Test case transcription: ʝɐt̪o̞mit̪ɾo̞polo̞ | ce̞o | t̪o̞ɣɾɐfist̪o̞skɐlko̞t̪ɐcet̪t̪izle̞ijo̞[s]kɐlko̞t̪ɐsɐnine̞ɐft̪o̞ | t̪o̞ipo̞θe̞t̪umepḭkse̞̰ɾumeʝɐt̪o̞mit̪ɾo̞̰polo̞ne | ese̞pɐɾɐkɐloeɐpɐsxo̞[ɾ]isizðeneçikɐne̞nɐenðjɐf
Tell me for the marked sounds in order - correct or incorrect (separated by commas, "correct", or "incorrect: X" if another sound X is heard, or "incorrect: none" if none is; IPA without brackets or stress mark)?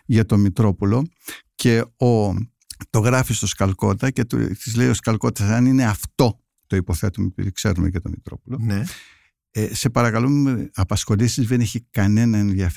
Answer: correct, incorrect: l